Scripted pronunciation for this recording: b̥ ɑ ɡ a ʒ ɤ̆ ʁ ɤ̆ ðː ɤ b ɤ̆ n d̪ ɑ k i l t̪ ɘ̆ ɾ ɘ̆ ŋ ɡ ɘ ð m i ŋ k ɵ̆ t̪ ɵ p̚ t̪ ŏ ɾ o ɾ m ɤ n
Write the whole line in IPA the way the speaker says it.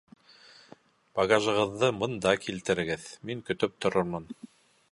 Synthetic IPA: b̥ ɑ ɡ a ʒ ɤ̆ ʁ ɤ̆ ðː ɤ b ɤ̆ n d̪ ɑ k i l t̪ ɘ̆ ɾ ɘ̆ ɡ ɘ ð m i ŋ k ɵ̆ t̪ ɵ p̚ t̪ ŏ ɾ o ɾ m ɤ n

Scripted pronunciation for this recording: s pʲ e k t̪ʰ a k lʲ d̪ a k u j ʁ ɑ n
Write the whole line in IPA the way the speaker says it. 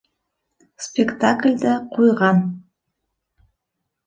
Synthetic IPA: s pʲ e k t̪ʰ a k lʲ d̪ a q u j ʁ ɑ n

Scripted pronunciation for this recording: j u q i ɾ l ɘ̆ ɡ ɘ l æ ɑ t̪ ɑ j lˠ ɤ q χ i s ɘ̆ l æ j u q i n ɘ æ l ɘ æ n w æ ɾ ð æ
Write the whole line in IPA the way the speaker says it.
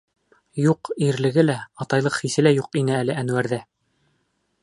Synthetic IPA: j u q i ɾ l ɘ̆ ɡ ɘ l æ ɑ t̪ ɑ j lˠ ɤ q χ i s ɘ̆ l æ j u q i n ɘ æ l ɘ æ n w æ ɾ ð æ

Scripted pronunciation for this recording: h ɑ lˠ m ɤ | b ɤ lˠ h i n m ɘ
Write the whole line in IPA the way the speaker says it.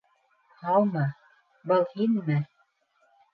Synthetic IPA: h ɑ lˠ m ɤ | b ɤ lˠ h i n m ɘ

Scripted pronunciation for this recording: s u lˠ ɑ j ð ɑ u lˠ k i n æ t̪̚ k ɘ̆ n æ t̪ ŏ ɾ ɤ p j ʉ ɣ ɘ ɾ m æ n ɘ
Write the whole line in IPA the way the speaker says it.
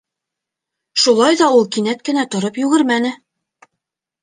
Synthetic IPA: ʃ u lˠ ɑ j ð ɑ u lˠ k i n æ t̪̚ k ɘ̆ n æ t̪ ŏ ɾ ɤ p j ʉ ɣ ɘ ɾ m æ n ɘ

